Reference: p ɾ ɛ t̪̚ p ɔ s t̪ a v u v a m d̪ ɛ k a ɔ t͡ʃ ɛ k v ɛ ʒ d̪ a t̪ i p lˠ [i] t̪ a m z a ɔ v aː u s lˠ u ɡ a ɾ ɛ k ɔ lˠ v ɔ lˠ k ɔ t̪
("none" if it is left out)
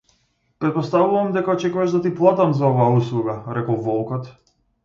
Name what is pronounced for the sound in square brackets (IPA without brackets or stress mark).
a